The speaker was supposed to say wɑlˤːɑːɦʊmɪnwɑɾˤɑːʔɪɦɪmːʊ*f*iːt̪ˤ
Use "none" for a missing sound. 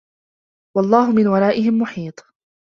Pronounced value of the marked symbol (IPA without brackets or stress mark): ħ